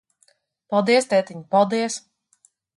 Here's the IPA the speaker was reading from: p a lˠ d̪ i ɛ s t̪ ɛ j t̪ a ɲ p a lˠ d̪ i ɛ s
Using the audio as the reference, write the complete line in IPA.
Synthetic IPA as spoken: p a lˠ d̪ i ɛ s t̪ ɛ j t̪ i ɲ p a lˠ d̪ i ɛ s

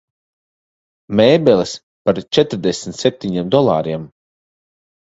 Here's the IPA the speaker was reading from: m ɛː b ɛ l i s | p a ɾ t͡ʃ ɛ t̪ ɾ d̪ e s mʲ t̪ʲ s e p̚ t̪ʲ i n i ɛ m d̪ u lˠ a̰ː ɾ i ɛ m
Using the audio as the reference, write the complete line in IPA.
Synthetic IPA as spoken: m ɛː b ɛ l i s | p a ɾ t͡ʃ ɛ t̪ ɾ d̪ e s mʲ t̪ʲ s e p̚ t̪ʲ i ɲ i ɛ m d̪ ɔ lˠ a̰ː ɾ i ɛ m

